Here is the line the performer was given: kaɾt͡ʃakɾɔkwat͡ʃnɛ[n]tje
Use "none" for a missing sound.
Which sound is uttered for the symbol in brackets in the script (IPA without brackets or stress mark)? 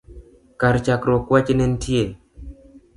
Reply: n